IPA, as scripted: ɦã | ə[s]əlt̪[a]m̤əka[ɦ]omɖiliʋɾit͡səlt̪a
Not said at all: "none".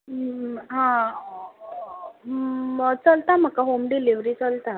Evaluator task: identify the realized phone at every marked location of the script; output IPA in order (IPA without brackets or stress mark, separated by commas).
t͡s, a, ɦ